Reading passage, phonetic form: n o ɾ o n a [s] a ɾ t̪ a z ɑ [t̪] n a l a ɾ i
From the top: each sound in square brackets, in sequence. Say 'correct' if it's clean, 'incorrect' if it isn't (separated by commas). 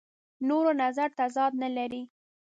incorrect, incorrect